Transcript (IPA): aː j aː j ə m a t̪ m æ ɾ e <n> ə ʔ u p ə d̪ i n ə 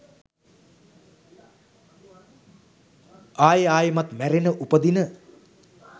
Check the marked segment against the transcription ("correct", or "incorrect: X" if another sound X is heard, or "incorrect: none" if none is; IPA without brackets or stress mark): correct